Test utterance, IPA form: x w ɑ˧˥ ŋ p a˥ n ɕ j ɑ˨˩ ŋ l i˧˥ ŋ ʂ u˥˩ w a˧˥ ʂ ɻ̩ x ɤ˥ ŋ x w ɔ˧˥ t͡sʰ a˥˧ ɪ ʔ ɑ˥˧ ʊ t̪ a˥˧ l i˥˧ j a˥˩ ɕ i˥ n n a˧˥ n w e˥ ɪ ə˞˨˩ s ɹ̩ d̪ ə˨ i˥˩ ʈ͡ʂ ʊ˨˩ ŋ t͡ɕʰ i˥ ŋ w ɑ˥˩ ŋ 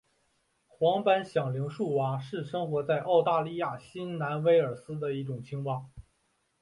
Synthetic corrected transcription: x w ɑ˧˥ ŋ p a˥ n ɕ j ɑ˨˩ ŋ l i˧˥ ŋ ʂ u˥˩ w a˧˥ ʂ ɻ̩ ʂ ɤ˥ ŋ x w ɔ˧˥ t͡s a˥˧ ɪ ʔ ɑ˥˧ ʊ t̪ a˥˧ l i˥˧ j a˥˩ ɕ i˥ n n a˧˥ n w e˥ ɪ ə˞˨˩ s ɹ̩ d̪ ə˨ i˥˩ ʈ͡ʂ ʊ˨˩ ŋ t͡ɕʰ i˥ ŋ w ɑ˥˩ ŋ